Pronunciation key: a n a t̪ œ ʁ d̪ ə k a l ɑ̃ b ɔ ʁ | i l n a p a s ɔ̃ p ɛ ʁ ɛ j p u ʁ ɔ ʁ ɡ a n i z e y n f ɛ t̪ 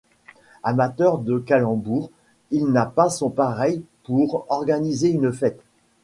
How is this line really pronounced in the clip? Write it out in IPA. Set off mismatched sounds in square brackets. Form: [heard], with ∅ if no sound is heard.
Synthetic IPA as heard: a [m] a t̪ œ ʁ d̪ ə k a l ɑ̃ b [u] ʁ | i l n a p a s ɔ̃ p [a] ʁ ɛ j p u ʁ ɔ ʁ ɡ a n i z e y n f ɛ t̪